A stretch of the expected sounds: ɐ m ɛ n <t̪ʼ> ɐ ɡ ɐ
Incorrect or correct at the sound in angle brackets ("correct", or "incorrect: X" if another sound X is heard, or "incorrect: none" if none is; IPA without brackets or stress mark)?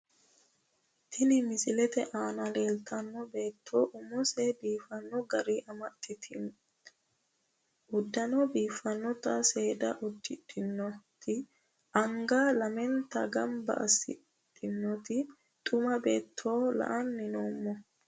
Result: incorrect: t̪